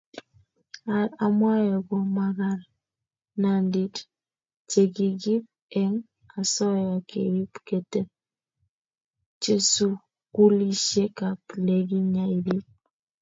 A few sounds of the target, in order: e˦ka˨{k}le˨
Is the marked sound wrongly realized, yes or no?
yes